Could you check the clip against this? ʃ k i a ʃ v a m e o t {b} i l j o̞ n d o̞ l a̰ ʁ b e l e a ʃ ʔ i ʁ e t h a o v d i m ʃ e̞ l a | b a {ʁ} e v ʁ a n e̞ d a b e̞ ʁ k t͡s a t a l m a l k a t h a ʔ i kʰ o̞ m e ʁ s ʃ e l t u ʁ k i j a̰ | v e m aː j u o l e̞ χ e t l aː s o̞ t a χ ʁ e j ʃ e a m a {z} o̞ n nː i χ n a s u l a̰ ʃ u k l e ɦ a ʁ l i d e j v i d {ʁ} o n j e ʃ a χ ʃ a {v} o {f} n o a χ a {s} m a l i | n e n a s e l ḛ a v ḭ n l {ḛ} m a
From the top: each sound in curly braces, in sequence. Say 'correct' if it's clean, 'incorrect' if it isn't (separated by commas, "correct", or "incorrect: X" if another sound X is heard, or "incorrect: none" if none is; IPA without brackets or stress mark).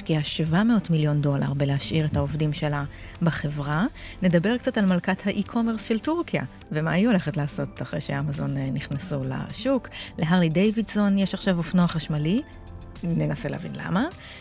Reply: incorrect: m, incorrect: χ, correct, incorrect: z, correct, correct, incorrect: ʃ, incorrect: a̰